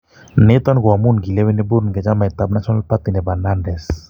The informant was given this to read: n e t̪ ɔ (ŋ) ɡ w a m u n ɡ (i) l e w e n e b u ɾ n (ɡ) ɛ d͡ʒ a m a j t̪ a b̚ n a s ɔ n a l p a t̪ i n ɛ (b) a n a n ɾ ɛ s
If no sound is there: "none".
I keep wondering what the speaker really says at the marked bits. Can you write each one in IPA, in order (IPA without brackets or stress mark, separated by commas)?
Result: n, i, ɡ, b